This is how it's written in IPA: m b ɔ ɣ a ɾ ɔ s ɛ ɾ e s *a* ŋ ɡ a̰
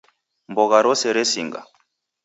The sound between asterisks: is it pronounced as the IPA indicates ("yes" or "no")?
no